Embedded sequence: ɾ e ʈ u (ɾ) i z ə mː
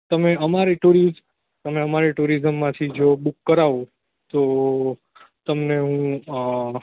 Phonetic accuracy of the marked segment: correct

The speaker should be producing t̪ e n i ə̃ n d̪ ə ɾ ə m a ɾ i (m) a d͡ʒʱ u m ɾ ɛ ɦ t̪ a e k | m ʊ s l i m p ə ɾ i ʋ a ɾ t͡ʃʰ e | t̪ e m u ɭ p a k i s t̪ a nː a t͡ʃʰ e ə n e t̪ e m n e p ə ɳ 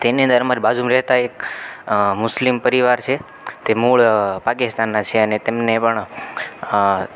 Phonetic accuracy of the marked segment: incorrect: b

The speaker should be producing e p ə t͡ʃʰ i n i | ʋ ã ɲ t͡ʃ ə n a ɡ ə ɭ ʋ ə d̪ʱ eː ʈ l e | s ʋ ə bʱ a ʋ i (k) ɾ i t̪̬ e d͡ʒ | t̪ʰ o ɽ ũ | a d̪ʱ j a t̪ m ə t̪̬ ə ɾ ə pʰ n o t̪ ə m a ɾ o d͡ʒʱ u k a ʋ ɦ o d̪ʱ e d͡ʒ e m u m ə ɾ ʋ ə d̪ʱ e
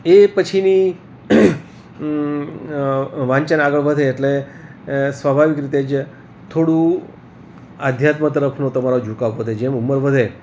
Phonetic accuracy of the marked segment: correct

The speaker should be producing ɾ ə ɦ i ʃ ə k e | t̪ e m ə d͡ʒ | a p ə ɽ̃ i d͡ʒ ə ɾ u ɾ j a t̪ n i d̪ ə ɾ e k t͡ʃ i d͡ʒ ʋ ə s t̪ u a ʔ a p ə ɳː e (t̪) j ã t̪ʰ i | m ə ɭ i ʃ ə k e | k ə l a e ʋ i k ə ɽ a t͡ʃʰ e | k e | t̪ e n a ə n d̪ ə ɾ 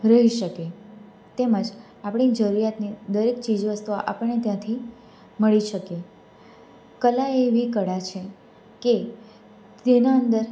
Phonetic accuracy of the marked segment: correct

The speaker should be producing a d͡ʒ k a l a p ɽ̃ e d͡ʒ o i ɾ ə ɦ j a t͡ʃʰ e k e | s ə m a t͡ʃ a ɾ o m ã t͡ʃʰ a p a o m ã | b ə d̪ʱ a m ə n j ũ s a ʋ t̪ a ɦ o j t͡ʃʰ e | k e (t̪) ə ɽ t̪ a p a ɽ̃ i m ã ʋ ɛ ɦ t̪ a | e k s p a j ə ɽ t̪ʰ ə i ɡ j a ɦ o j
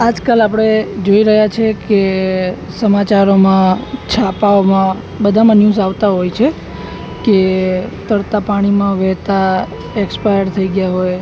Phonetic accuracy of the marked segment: correct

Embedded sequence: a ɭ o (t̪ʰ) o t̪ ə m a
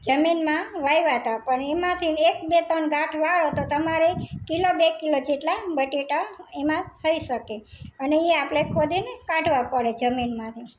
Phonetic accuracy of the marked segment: incorrect: t̪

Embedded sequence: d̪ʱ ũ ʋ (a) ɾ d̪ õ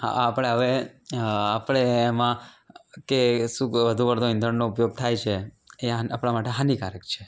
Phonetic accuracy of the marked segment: incorrect: ə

